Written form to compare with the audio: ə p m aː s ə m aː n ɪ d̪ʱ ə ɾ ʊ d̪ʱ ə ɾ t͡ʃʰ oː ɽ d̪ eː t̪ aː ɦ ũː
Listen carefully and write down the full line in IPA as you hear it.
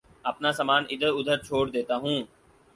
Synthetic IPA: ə p n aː s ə m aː n ɪ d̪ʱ ə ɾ ʊ d̪ʱ ə ɾ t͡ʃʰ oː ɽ d̪ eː t̪ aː ɦ ũː

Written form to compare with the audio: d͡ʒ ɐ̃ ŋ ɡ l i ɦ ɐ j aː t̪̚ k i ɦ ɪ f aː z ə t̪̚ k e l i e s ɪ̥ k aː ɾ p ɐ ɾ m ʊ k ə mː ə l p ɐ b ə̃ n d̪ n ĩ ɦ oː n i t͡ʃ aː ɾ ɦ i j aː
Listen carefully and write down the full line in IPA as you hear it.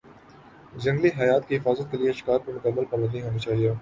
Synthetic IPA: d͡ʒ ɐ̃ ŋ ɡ l i ɦ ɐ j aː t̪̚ k i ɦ ɪ f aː z ə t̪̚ k e l i e ʃ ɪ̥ k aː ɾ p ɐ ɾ m ʊ k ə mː ə l p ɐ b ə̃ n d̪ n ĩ ɦ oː n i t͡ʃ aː ɦ i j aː

